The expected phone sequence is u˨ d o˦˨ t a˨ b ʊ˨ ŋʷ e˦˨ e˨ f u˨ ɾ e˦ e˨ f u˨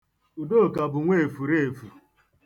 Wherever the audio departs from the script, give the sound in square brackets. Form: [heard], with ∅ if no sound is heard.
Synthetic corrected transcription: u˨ d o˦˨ [k] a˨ b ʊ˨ ŋʷ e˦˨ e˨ f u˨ ɾ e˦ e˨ f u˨